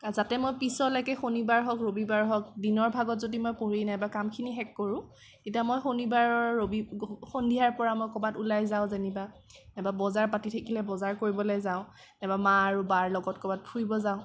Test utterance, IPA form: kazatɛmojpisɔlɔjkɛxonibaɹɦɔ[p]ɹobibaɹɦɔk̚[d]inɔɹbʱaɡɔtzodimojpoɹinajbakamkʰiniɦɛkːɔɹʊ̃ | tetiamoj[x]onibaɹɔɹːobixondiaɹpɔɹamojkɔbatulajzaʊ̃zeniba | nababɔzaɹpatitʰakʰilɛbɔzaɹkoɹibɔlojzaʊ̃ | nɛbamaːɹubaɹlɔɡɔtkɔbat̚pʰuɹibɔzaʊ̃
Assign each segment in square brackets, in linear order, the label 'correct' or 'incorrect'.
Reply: incorrect, correct, correct

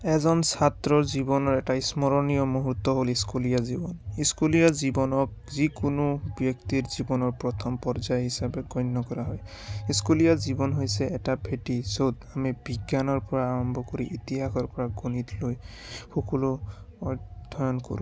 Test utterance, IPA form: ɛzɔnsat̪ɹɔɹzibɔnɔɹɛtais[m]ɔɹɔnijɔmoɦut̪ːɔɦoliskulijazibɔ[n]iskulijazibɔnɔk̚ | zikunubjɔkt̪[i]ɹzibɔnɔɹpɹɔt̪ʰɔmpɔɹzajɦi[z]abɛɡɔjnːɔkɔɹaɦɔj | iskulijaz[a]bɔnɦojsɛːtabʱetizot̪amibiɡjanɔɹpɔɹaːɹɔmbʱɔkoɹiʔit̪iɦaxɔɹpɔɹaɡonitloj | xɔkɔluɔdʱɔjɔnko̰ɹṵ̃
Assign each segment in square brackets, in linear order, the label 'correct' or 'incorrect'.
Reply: correct, correct, correct, incorrect, incorrect

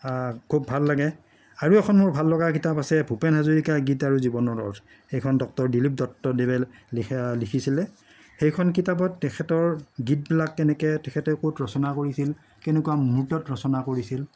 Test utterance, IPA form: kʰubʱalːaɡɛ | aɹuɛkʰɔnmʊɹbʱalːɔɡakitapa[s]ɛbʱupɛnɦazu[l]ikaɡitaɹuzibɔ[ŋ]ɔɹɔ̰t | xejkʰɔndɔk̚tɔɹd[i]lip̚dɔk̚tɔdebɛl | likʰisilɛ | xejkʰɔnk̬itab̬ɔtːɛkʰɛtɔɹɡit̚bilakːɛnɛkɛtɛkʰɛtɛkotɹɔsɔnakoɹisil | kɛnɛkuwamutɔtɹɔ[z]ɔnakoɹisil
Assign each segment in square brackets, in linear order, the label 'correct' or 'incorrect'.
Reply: correct, incorrect, incorrect, correct, incorrect

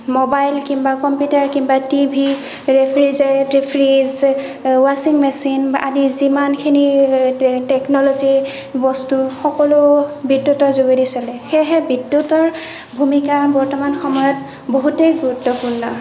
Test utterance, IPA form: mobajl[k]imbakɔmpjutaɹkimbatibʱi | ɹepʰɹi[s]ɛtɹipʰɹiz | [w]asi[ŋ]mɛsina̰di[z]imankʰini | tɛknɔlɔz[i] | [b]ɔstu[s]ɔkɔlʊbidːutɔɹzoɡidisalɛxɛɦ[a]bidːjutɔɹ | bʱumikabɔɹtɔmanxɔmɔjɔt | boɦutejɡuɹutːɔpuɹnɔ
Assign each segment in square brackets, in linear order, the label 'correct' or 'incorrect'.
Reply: correct, incorrect, correct, correct, correct, correct, correct, incorrect, incorrect

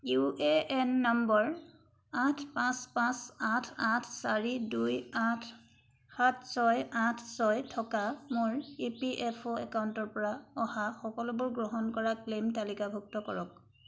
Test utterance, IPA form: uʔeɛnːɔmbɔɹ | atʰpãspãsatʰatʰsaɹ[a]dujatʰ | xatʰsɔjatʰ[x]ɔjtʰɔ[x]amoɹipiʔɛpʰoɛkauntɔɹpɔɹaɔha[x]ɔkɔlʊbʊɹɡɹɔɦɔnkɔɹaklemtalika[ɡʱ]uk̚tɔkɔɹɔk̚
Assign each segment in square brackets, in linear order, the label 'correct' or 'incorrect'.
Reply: incorrect, incorrect, incorrect, correct, incorrect

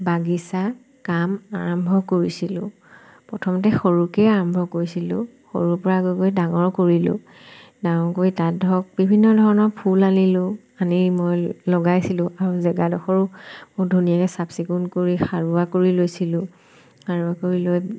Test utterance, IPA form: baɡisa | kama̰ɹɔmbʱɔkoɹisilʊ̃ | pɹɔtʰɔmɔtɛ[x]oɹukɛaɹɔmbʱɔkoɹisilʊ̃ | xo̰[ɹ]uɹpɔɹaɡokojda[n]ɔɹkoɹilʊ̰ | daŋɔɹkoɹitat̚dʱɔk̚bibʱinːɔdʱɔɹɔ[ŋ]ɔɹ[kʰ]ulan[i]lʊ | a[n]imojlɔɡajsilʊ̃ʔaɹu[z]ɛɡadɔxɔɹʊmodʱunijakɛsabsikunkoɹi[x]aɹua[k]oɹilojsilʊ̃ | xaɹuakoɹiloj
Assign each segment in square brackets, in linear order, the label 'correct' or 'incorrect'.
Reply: correct, correct, incorrect, incorrect, incorrect, correct, correct, correct, correct, correct

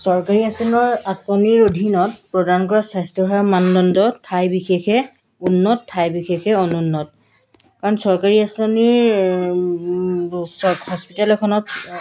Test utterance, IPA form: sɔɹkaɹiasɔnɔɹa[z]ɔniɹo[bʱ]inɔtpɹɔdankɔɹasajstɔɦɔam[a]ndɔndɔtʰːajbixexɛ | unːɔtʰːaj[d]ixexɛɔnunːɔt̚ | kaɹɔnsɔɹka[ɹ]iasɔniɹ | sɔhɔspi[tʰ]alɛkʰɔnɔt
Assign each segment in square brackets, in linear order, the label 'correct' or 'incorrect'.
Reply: incorrect, incorrect, correct, incorrect, correct, incorrect

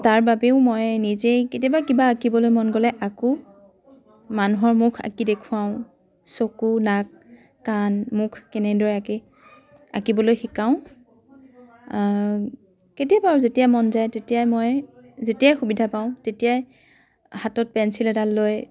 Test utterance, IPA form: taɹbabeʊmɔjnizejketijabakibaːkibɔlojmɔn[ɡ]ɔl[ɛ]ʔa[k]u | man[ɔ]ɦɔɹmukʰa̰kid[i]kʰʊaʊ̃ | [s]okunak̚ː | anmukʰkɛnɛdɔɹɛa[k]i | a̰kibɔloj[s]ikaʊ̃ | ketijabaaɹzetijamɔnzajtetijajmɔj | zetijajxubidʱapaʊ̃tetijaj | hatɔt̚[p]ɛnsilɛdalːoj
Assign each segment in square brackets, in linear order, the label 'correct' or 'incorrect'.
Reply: correct, correct, correct, incorrect, incorrect, correct, correct, incorrect, correct

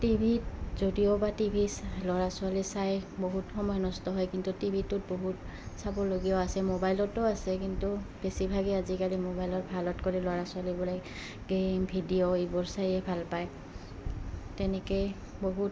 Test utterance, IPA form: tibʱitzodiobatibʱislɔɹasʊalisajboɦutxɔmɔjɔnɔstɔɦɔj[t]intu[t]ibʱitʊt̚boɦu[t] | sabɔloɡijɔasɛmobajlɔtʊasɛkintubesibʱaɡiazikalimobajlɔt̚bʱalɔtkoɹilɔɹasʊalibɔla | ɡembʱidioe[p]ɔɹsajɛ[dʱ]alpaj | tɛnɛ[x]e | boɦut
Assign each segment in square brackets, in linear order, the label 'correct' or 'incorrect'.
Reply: incorrect, correct, correct, incorrect, incorrect, incorrect

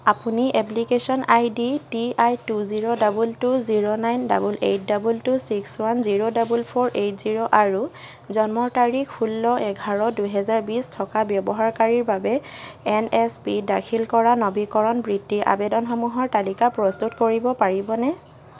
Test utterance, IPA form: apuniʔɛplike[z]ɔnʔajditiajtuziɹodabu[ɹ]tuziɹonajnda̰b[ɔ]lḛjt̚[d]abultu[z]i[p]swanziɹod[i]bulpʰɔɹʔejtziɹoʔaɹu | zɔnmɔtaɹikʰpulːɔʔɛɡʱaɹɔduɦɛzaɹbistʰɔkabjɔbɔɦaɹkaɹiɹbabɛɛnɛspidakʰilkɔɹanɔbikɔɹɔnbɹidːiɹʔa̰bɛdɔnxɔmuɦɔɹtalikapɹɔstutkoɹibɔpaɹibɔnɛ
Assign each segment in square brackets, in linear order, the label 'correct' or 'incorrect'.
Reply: incorrect, incorrect, incorrect, correct, incorrect, incorrect, incorrect

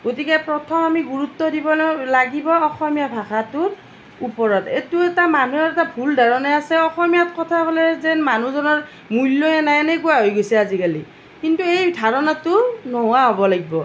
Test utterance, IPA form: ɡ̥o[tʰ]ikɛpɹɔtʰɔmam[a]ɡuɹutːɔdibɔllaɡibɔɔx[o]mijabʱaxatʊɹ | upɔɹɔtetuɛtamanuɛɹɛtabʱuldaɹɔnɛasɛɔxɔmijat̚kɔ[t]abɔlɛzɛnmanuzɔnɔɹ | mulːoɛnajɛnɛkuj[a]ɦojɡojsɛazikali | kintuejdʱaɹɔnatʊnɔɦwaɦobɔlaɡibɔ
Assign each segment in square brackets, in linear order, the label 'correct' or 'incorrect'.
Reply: incorrect, incorrect, incorrect, incorrect, correct

